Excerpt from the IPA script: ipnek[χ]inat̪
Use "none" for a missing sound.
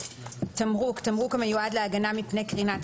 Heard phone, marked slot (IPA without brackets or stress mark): ʁ